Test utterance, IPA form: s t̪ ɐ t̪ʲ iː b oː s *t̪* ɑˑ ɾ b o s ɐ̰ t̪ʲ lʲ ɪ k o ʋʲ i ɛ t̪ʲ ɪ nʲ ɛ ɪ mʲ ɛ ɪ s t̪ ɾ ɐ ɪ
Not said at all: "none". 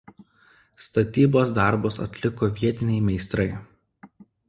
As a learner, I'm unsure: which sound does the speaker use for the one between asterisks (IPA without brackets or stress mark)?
d̪